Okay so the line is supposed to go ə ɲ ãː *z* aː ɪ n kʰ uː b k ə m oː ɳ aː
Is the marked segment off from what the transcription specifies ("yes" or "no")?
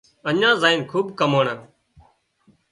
no